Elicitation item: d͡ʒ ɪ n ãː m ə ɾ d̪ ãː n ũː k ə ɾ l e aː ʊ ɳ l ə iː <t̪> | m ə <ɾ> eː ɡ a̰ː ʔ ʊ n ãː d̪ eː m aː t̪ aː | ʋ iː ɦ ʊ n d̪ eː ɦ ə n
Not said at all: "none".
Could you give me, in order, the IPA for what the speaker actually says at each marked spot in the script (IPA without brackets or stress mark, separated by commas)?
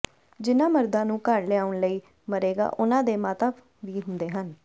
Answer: none, ɾ